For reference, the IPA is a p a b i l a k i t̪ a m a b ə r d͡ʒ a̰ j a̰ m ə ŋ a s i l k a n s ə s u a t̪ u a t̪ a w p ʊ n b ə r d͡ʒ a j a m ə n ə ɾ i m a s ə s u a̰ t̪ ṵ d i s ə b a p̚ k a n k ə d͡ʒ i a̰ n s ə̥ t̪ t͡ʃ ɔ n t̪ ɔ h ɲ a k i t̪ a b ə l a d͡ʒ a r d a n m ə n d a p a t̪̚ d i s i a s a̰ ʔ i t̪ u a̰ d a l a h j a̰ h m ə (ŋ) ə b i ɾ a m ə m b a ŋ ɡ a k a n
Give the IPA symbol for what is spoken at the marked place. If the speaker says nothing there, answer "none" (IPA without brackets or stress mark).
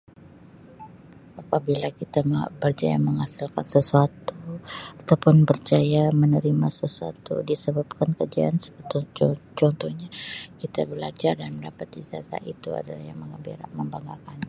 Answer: ŋ